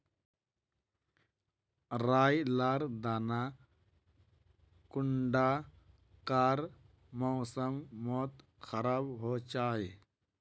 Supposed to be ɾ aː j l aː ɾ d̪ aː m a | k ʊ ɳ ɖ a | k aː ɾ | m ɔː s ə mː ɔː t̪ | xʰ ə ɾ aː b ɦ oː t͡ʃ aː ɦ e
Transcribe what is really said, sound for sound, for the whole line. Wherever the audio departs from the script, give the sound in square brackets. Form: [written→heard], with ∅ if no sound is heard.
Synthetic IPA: ɾ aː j l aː ɾ d̪ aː [m→n] a | k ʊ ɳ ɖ a | k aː ɾ | m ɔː s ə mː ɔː t̪ | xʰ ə ɾ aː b ɦ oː t͡ʃ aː ɦ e